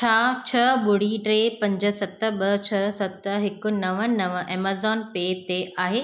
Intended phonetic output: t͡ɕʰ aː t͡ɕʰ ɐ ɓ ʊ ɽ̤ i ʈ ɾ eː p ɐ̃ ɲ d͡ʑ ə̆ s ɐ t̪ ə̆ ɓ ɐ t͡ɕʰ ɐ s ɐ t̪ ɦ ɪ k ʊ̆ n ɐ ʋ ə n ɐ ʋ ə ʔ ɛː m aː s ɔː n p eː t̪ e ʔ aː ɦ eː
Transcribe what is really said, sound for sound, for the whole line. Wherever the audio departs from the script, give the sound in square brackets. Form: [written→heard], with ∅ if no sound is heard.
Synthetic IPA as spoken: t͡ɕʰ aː t͡ɕʰ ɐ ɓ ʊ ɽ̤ i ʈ ɾ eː p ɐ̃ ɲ d͡ʑ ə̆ s ɐ t̪ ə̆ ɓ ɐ t͡ɕʰ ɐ s ɐ t̪ ɦ ɪ k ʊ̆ n ɐ ʋ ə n ɐ ʋ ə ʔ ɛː m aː [s→z] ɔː n p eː t̪ e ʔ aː ɦ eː

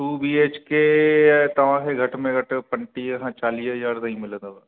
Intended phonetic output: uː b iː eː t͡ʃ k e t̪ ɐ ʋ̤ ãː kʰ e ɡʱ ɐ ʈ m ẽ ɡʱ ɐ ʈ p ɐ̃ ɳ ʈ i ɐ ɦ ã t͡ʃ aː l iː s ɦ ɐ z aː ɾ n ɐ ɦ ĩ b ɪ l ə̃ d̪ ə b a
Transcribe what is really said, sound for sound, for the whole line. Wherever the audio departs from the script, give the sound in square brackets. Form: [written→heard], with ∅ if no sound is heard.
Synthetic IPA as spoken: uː b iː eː t͡ʃ k e t̪ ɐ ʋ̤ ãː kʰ e ɡʱ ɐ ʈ m ẽ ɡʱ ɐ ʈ p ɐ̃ ɳ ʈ i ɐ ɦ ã t͡ʃ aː l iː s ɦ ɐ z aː ɾ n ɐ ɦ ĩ [b→m] ɪ l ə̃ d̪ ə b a

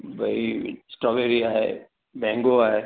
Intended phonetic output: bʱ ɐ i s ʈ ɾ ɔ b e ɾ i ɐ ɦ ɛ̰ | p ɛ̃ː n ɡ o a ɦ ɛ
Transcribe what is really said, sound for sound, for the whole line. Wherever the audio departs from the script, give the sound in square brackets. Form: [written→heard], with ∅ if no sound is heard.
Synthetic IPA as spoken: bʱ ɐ i s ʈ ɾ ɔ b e ɾ i [ɐ→a] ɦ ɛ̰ | [p→b] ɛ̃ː [n→ŋ] ɡ o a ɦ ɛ

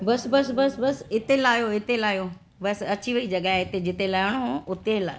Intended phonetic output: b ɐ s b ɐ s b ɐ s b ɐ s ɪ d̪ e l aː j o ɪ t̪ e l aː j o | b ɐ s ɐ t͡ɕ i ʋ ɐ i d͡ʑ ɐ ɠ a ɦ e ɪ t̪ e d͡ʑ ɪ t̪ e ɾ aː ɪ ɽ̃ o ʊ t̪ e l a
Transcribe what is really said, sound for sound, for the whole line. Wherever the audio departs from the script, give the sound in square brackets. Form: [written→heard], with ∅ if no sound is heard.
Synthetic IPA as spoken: b ɐ s b ɐ s b ɐ s b ɐ s ɪ [d̪→t̪] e l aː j o ɪ t̪ e l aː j o | b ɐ s ɐ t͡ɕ i ʋ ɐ i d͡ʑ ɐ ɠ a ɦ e ɪ t̪ e d͡ʑ ɪ t̪ e [ɾ→l] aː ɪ ɽ̃ o ʊ t̪ e l a

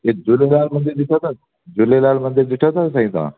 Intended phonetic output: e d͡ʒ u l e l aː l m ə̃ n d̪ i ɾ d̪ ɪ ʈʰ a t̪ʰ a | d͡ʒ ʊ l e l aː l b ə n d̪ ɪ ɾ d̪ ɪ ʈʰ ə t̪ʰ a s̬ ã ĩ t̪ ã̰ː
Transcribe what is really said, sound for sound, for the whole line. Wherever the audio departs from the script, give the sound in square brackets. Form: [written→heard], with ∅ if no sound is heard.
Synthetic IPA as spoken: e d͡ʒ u l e l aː l m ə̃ n d̪ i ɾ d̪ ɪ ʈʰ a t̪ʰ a | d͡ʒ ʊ l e l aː l [b→m] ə n d̪ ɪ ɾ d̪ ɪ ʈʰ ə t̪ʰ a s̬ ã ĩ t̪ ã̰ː

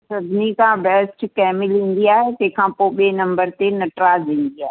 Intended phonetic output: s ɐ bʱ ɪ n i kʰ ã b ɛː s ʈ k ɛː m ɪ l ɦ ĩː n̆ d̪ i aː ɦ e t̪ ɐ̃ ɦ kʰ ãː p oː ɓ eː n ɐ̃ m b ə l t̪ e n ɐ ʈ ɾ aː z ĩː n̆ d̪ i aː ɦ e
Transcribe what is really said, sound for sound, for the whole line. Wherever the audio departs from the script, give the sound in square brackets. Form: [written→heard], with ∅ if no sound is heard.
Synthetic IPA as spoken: s ɐ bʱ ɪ n i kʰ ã b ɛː s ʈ k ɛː m ɪ l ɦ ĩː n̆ d̪ i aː ɦ e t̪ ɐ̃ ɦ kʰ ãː p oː ɓ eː n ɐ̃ m b ə [l→ɾ] t̪ e n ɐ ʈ ɾ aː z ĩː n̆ d̪ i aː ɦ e

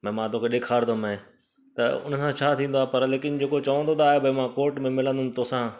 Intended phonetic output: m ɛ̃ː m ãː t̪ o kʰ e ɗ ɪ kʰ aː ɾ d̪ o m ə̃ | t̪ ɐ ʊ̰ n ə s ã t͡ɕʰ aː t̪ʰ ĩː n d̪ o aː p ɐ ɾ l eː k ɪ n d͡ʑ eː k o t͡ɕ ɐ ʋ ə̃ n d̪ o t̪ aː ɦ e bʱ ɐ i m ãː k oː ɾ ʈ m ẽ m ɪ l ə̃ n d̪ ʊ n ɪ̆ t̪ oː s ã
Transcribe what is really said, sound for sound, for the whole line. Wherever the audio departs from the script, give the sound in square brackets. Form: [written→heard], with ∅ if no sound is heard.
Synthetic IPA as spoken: m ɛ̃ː m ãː t̪ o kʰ e ɗ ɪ kʰ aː ɾ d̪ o m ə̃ | t̪ ɐ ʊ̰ n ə s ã t͡ɕʰ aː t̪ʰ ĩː n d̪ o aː p ɐ ɾ l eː k ɪ n d͡ʑ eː k o t͡ɕ ɐ ʋ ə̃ n d̪ o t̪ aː ɦ e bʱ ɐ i m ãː k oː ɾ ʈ m ẽ m ɪ l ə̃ n d̪ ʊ n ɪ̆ t̪ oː s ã

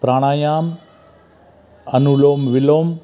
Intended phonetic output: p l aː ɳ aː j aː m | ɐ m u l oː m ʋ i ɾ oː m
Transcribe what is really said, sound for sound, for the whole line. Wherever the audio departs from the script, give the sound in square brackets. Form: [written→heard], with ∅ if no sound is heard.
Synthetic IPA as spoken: p [l→ɾ] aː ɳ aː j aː m | ɐ [m→n] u l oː m ʋ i [ɾ→l] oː m

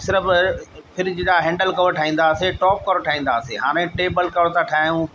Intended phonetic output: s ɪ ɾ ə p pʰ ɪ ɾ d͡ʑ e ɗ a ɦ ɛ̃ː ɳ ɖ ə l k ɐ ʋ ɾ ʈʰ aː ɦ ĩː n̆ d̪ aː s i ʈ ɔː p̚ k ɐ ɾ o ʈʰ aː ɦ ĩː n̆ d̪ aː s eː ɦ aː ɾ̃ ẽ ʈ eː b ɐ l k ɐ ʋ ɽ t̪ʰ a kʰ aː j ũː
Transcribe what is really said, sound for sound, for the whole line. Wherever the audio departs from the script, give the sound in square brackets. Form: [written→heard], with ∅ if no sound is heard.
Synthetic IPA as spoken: s ɪ ɾ ə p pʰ ɪ ɾ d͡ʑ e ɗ a ɦ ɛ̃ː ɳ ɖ ə l k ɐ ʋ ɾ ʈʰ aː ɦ ĩː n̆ d̪ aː s [i→e] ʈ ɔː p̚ k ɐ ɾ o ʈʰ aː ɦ ĩː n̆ d̪ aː s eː ɦ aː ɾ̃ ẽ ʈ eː b [ɐ→ə] l k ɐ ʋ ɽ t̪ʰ a [kʰ→ʈʰ] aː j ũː

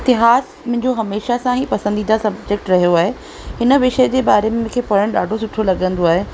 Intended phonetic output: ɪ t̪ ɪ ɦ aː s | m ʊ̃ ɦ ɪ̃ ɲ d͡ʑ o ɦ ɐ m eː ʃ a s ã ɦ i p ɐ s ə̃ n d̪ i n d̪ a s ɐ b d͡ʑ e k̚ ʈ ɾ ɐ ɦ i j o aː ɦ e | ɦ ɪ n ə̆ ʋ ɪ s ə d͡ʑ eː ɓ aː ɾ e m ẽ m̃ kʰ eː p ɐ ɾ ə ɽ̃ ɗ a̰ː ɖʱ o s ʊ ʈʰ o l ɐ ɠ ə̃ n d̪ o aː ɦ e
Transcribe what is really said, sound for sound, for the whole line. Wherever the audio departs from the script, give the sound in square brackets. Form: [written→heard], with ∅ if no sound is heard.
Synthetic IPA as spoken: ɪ t̪ ɪ ɦ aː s | m ʊ̃ ɦ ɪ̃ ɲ d͡ʑ o ɦ ɐ m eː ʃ a s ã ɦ i p ɐ s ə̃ n d̪ i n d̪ a s ɐ b d͡ʑ e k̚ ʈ ɾ ɐ ɦ i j o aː ɦ e | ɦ ɪ n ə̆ ʋ ɪ [s→ʃ] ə d͡ʑ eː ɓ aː ɾ e m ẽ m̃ kʰ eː p ɐ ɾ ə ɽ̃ ɗ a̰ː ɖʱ o s ʊ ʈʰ o l ɐ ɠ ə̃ n d̪ o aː ɦ e

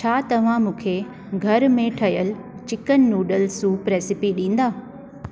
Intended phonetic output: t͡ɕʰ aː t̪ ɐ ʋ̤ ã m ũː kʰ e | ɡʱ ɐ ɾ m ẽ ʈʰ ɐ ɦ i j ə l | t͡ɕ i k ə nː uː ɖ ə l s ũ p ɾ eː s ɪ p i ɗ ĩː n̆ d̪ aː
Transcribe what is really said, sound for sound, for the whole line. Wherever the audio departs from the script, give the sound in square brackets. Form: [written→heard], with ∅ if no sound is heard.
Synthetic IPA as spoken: t͡ɕʰ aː t̪ ɐ ʋ̤ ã m ũː kʰ e | ɡʱ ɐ ɾ m ẽ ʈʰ ɐ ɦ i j ə l | t͡ɕ [i→ɪ] k ə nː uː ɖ ə l s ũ p ɾ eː s ɪ p i ɗ ĩː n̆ d̪ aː

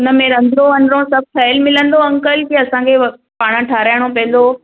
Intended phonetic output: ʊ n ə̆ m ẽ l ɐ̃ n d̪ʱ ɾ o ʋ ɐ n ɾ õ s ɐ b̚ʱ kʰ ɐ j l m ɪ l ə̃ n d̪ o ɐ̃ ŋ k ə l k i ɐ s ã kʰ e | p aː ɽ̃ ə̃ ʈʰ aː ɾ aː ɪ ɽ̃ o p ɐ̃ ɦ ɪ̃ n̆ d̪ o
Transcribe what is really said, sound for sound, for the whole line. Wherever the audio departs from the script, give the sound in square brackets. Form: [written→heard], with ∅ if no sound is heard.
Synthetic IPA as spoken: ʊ n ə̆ m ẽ [l→ɾ] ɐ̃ n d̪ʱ ɾ o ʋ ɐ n ɾ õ s ɐ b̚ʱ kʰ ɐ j l m ɪ l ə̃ n d̪ o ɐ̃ ŋ k ə l k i ɐ s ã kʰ e | p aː ɽ̃ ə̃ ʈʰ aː ɾ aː ɪ ɽ̃ o p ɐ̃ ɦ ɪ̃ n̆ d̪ o

